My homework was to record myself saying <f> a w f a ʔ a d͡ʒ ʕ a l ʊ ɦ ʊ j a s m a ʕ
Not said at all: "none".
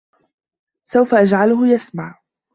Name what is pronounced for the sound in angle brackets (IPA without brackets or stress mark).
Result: s